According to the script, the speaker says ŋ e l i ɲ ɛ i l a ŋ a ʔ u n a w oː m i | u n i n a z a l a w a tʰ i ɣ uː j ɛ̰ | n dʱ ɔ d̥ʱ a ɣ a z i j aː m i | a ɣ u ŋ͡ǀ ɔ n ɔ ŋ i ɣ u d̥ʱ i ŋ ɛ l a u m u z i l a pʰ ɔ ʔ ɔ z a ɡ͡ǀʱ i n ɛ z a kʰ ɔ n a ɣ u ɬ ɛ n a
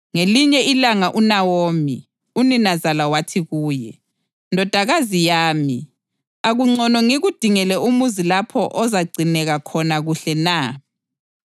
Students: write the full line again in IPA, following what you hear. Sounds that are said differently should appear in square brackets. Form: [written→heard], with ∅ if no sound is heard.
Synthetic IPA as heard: ŋ e l i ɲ ɛ i l a ŋ a ʔ u n a w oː m i | u n i n a z a l a w a tʰ i ɣ uː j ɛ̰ | n dʱ ɔ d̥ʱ a ɣ a z i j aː m i | a ɣ u ŋ͡ǀ ɔ n ɔ ŋ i ɣ u d̥ʱ i ŋ ɛ l [a→ɛ] u m u z i l a pʰ ɔ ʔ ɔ z a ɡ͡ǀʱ i n ɛ [z→ɣ] a kʰ ɔ n a ɣ u ɬ ɛ n a

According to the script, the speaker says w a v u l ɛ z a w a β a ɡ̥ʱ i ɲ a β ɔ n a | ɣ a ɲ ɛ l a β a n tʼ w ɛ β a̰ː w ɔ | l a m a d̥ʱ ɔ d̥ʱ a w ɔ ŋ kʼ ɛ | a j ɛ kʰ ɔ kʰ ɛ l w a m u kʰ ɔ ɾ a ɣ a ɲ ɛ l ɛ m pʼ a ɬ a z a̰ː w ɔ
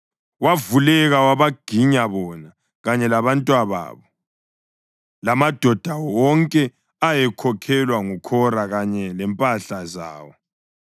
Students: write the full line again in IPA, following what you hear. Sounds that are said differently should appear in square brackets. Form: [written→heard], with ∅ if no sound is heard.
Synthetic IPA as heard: w a v u l ɛ [z→ɣ] a w a β a ɡ̥ʱ i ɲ a β ɔ n a | ɣ a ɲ ɛ l a β a n tʼ w [ɛ→a] β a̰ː [w→β] ɔ | l a m a d̥ʱ ɔ d̥ʱ a w ɔ ŋ kʼ ɛ | a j ɛ kʰ ɔ kʰ ɛ l w a [m→ŋ] u kʰ ɔ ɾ a ɣ a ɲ ɛ l ɛ m pʼ a ɬ a z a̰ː w ɔ

